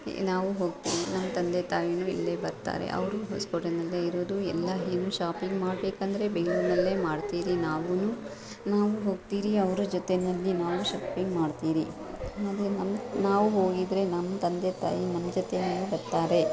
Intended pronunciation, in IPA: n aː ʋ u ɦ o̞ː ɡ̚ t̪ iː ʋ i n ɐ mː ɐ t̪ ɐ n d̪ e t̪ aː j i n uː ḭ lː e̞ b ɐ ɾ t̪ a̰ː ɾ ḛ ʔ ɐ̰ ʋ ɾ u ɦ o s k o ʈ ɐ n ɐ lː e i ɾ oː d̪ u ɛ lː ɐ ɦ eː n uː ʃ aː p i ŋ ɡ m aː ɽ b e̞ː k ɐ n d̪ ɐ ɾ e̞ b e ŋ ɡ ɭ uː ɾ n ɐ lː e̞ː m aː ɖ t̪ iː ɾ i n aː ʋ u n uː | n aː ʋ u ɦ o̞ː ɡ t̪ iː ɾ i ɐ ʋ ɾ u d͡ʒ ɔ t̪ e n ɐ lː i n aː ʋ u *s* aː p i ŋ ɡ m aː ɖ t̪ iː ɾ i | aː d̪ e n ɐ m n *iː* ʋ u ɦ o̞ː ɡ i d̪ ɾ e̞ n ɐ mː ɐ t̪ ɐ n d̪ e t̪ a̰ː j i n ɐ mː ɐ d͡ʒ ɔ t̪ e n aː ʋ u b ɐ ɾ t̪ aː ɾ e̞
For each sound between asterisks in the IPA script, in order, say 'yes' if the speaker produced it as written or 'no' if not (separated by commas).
no, no